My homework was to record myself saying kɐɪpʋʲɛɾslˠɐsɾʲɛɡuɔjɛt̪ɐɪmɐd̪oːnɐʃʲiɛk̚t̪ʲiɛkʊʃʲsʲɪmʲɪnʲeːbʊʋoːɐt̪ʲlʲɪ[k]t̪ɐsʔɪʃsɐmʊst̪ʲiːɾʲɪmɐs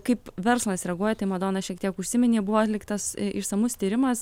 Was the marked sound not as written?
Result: no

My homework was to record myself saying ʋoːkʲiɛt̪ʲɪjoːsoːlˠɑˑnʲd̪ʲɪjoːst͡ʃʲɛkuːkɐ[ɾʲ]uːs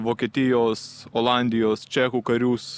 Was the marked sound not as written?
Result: no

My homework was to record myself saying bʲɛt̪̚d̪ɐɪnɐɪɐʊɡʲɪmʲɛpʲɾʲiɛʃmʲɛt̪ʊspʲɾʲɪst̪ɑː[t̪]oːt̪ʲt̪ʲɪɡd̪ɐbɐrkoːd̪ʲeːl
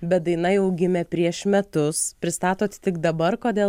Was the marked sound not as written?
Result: no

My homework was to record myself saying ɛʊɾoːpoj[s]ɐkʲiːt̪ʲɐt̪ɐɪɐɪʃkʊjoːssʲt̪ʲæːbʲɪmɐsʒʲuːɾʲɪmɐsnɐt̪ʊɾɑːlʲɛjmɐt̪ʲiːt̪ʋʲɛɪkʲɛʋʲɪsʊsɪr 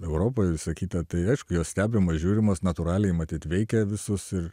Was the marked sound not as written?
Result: no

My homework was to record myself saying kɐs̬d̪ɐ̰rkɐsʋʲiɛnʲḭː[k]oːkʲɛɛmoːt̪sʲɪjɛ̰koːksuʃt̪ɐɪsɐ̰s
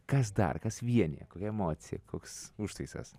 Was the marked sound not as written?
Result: no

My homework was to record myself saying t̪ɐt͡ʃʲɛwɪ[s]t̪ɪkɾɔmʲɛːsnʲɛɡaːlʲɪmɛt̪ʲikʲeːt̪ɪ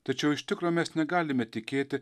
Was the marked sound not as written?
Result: yes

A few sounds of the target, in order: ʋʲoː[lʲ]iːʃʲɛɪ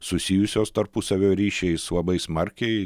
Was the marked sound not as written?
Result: yes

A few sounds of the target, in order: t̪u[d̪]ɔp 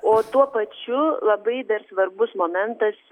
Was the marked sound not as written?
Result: yes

